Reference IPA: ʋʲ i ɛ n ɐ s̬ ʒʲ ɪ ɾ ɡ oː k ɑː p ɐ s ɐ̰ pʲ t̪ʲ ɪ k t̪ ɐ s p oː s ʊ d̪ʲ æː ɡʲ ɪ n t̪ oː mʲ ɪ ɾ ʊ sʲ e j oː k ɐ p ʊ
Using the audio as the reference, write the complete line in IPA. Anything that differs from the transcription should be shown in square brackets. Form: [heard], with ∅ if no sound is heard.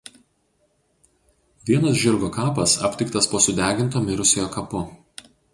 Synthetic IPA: ʋʲ i ɛ n ɐ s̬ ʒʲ ɪ ɾ ɡ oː k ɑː p ɐ s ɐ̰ pʲ t̪ʲ ɪ k t̪ ɐ s p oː s ʊ d̪ʲ æː ɡʲ ɪ n t̪ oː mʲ ɪ ɾ ʊ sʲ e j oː k ɐ p ʊ